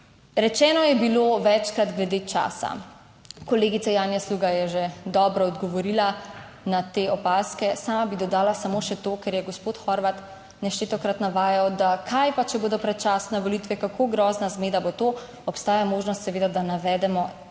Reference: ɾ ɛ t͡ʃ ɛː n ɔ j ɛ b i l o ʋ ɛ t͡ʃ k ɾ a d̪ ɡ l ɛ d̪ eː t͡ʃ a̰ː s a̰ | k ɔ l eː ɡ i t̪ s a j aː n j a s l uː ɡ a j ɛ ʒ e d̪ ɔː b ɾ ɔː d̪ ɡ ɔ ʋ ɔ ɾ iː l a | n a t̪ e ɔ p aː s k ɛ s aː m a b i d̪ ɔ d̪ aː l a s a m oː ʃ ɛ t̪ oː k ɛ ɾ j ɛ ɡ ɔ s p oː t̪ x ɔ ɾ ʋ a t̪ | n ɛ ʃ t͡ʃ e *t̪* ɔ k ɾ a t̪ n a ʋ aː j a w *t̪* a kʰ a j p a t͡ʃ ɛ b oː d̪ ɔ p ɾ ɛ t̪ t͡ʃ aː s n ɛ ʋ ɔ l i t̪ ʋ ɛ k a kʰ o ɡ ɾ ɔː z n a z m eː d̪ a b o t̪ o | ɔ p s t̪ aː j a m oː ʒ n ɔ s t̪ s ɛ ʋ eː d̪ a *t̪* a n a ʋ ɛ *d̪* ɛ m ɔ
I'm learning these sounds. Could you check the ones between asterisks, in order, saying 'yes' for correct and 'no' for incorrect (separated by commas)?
yes, no, no, yes